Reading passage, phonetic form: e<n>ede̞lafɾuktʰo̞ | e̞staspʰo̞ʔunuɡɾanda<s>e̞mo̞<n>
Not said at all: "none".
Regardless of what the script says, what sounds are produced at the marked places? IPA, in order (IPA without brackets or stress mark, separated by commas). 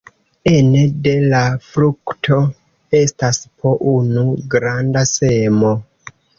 n, s, none